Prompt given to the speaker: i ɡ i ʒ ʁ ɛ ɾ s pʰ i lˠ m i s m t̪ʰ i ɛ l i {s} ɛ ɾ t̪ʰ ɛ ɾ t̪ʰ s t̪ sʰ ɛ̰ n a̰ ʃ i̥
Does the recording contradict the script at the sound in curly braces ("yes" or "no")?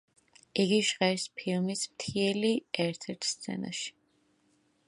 yes